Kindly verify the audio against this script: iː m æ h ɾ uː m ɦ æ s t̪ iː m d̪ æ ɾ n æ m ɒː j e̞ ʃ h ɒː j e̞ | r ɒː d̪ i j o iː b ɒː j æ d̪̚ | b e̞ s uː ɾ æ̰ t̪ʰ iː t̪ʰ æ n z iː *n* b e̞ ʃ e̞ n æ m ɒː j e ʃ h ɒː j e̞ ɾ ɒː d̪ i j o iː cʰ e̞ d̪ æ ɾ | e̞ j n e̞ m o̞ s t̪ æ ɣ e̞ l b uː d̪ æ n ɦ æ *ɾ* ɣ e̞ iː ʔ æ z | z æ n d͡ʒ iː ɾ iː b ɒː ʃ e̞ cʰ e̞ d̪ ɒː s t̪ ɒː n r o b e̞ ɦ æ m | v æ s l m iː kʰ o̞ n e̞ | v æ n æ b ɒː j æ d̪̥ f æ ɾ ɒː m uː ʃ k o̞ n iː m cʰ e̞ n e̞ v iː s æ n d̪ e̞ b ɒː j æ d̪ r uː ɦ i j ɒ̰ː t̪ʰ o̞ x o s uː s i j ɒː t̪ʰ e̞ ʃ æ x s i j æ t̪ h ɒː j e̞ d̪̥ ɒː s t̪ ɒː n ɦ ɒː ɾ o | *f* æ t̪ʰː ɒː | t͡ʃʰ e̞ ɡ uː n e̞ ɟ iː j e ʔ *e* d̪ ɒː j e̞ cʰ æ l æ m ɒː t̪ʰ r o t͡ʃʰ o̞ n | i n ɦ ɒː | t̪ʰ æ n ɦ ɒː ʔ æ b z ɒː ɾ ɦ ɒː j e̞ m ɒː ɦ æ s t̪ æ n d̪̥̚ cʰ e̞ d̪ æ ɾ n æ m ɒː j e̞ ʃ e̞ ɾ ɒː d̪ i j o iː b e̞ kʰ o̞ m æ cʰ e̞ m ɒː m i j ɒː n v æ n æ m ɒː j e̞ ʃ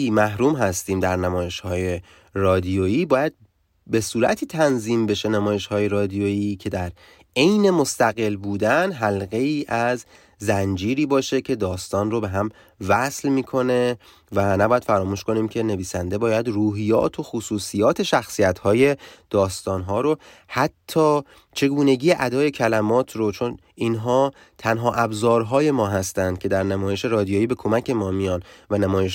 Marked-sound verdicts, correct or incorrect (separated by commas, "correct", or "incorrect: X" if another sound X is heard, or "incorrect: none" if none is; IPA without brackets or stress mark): incorrect: m, incorrect: l, incorrect: h, incorrect: æ